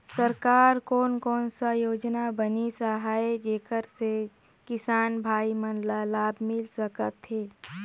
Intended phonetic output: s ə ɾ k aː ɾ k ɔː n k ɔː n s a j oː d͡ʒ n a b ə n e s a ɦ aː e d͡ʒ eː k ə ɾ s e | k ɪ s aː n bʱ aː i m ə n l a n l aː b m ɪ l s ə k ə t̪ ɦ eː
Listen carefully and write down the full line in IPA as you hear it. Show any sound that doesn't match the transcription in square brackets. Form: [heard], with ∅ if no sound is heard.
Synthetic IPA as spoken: s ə ɾ k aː ɾ k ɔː n k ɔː n s a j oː d͡ʒ n a b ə n [i] s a ɦ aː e d͡ʒ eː k ə ɾ s e | k ɪ s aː n bʱ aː i m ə n l a [∅] l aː b m ɪ l s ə k ə t̪ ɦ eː